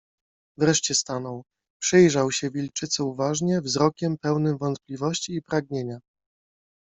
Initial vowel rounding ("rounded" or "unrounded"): unrounded